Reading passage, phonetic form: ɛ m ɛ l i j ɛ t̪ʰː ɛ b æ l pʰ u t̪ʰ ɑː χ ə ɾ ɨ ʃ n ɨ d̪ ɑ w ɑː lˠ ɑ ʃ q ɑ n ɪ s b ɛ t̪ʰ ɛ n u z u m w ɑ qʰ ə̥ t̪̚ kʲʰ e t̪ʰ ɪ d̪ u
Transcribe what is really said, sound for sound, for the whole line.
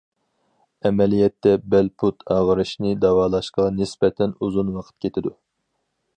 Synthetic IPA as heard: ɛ m ɛ l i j ɛ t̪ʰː ɛ b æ l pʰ u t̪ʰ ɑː ʁ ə ɾ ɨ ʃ n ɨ d̪ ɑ w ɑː lˠ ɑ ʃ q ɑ n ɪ s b ɛ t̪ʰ ɛ n u z u n w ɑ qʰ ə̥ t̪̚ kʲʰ e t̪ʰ ɪ d̪ u